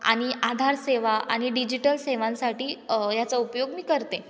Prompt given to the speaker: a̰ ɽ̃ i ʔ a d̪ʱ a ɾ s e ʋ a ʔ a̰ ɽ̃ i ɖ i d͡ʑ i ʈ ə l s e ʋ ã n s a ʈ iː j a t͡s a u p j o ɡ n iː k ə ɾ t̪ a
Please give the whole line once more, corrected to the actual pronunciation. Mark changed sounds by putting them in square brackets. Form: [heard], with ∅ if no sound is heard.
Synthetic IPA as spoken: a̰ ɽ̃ i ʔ a d̪ʱ a ɾ s e ʋ a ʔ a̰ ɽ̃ i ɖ i d͡ʑ i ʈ ə l s e ʋ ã n s a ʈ iː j a t͡s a u p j o ɡ [m] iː k ə ɾ t̪ [e]